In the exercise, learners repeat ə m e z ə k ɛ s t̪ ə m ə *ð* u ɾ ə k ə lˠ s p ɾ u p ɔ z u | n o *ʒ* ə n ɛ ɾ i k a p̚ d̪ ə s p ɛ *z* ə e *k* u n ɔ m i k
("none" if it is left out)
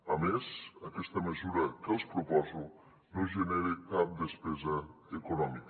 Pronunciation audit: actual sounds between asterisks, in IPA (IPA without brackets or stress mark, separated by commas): z, ʒ, z, k